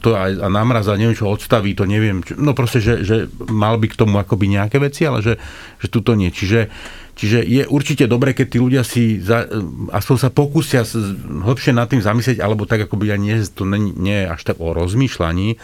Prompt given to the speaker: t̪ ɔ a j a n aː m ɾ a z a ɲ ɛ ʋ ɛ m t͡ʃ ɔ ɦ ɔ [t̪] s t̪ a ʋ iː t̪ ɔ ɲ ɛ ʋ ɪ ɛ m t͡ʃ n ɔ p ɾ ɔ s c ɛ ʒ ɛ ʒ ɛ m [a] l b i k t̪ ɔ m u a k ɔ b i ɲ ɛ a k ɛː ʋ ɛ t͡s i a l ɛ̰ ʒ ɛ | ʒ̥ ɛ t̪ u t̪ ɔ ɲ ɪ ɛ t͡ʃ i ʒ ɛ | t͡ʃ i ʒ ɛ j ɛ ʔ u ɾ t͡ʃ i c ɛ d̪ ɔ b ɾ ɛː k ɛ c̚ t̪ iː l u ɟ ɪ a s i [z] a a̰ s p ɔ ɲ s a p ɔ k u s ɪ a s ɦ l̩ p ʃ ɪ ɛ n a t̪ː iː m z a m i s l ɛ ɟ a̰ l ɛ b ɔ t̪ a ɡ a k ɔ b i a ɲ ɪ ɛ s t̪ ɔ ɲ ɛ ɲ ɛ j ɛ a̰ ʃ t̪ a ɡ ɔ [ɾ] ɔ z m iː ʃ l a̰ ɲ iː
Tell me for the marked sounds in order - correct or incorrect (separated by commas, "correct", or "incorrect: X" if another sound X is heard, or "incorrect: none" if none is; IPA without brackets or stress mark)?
correct, correct, correct, correct